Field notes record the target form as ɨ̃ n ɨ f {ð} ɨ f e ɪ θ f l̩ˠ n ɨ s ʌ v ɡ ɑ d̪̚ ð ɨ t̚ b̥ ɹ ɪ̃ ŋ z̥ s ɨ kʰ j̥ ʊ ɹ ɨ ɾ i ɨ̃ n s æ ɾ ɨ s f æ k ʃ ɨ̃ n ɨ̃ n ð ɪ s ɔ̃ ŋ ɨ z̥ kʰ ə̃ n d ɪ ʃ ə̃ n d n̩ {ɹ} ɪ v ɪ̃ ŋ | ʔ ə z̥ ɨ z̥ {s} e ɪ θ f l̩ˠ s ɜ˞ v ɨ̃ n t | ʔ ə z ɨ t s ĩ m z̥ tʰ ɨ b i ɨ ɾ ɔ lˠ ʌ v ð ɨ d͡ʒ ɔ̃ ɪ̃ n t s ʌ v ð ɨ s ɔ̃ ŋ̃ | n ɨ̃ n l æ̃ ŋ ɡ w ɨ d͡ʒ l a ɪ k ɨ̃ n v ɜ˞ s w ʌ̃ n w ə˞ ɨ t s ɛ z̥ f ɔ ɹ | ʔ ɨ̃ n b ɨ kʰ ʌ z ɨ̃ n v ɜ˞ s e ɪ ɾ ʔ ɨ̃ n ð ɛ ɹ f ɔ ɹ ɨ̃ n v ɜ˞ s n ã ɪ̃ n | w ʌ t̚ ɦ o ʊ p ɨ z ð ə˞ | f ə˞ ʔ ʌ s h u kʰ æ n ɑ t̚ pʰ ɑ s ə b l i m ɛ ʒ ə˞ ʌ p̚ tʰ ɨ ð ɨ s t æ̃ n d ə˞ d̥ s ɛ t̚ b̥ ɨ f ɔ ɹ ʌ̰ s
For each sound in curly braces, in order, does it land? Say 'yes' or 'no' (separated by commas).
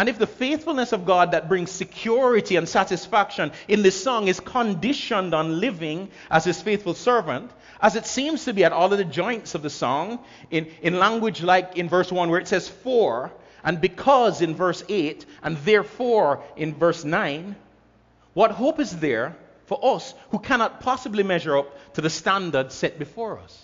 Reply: yes, no, no